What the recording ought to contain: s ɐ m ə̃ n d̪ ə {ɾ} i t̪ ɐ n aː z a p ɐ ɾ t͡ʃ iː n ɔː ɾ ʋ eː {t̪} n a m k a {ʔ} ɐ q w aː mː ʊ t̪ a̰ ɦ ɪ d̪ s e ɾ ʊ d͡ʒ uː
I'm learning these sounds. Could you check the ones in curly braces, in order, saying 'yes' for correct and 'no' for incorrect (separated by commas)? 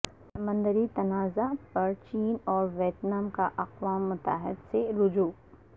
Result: yes, yes, yes